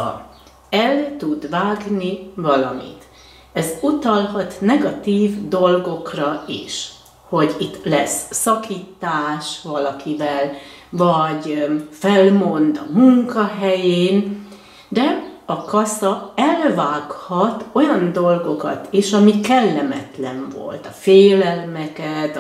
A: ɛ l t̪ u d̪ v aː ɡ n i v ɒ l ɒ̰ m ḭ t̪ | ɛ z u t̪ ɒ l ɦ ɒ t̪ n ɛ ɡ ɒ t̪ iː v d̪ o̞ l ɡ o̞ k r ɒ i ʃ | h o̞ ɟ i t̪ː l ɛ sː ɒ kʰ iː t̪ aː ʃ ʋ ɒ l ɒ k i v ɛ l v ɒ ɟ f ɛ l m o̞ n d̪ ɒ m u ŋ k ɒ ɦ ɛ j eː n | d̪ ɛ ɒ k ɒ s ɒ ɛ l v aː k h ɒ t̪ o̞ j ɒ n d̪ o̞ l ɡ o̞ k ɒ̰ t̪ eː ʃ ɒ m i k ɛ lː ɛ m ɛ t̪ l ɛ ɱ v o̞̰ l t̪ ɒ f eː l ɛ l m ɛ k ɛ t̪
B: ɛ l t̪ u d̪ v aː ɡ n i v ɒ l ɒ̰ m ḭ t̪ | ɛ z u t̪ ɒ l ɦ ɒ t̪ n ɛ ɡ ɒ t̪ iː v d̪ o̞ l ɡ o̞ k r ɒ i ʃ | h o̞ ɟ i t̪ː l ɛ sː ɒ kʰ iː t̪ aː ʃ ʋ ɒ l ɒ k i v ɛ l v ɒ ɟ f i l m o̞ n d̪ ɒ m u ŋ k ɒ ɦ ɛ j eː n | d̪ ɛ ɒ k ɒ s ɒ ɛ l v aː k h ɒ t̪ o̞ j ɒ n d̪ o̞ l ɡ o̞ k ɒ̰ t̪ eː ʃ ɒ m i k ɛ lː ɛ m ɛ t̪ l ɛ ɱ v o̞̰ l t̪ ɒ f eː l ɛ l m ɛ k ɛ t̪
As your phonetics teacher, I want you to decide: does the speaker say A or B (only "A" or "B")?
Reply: A